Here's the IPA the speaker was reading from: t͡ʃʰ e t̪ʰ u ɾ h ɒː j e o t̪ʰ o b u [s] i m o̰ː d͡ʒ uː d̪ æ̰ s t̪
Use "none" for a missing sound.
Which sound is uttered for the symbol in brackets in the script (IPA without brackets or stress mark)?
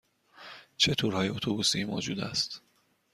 s